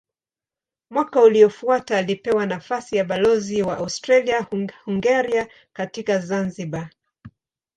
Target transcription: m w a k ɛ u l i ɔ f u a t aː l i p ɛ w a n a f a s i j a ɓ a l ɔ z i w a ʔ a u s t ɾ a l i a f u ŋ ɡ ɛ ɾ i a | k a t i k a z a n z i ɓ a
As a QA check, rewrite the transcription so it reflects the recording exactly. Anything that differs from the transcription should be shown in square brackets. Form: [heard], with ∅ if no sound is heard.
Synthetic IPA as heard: m w a k [a] u l i ɔ f u a t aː l i p ɛ w a n a f a s i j a ɓ a l ɔ z i w a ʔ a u s t ɾ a l i a [h] u ŋ ɡ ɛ ɾ i a | k a t i k a z a n z i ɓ a